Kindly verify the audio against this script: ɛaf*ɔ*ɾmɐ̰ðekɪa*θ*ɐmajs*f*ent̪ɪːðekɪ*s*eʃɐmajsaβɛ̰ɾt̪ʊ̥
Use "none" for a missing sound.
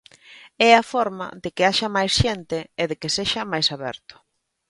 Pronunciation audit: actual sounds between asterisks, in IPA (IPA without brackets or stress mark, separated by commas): ɔ, ʃ, ʃ, s